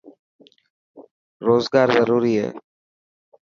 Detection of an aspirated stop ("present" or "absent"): absent